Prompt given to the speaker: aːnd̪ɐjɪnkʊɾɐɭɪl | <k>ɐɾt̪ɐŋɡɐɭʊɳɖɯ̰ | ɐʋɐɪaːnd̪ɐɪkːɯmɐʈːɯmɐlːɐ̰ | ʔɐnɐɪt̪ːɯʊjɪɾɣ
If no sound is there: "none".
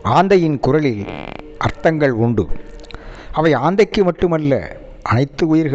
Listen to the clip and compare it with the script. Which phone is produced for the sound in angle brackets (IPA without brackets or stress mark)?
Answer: ʔ